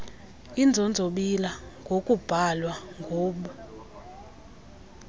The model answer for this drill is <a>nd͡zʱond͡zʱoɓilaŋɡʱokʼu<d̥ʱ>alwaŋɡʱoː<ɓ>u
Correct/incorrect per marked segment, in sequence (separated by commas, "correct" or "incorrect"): incorrect, incorrect, correct